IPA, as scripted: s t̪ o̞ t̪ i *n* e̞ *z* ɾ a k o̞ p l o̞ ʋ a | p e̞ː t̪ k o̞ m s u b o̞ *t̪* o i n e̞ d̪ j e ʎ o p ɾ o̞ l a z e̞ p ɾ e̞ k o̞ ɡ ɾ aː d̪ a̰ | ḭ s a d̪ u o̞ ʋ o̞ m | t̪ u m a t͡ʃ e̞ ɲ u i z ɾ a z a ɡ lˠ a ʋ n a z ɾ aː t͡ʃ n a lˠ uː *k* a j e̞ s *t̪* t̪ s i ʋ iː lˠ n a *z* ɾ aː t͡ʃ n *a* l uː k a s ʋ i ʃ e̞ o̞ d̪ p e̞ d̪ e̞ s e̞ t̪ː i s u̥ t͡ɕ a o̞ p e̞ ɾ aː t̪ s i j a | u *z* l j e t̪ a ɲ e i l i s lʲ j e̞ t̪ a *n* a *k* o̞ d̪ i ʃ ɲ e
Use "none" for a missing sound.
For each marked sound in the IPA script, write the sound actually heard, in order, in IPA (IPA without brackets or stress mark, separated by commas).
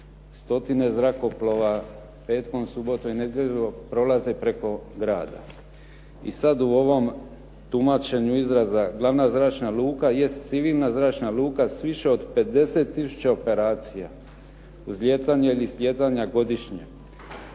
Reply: n, z, t̪, k, t̪, z, a, z, ɲ, ɡ